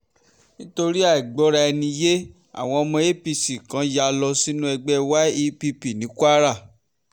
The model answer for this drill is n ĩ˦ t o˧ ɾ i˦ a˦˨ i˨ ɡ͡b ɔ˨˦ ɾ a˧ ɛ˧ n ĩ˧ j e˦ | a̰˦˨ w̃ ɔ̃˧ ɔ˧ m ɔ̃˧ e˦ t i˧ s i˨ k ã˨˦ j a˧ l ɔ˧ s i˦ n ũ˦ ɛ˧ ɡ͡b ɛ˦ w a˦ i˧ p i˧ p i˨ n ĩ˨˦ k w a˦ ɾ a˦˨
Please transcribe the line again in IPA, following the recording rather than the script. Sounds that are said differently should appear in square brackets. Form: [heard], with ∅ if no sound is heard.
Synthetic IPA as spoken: n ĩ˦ t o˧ ɾ i˦ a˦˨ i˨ ɡ͡b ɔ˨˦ ɾ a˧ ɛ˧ n ĩ˧ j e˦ | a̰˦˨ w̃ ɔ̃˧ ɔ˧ m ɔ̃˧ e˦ [p] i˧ s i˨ k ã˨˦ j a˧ l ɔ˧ s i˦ n ũ˦ ɛ˧ ɡ͡b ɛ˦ w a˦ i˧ p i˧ p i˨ n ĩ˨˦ k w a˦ ɾ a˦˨